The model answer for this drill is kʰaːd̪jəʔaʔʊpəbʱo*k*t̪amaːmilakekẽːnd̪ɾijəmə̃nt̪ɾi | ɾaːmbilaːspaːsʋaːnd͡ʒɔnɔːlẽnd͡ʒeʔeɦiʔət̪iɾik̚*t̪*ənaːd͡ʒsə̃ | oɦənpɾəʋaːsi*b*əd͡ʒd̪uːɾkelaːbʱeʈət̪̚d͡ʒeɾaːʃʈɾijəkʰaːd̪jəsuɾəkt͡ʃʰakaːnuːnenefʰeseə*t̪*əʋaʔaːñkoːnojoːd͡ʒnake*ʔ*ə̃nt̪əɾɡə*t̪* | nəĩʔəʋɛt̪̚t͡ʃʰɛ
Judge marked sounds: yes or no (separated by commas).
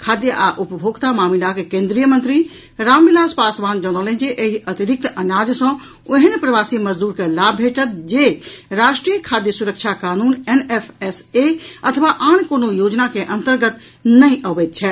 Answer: no, yes, no, no, yes, yes